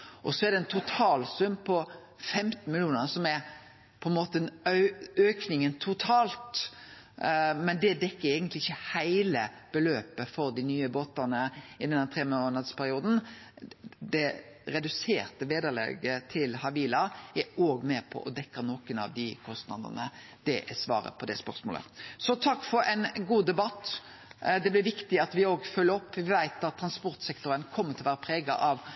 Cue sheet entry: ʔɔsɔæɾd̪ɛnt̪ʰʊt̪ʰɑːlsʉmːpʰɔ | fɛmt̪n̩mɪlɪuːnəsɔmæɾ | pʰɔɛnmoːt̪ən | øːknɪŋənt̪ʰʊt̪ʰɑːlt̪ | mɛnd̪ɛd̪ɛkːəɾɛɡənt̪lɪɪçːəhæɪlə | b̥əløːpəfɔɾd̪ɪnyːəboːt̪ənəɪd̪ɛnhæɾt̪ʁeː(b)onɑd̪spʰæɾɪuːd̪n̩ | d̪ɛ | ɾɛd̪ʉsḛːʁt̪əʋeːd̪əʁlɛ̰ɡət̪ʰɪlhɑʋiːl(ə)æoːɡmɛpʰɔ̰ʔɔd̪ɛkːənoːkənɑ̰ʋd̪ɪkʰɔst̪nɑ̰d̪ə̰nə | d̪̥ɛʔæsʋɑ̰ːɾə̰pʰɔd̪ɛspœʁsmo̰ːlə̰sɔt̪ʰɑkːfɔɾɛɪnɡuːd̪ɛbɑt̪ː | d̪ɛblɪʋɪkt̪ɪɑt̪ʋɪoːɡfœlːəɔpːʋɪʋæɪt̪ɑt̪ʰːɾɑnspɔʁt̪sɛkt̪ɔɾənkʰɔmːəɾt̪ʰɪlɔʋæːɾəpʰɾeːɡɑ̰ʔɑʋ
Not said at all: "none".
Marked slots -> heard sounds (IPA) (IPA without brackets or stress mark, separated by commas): m, ɑ